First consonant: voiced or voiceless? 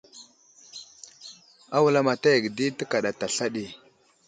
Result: voiced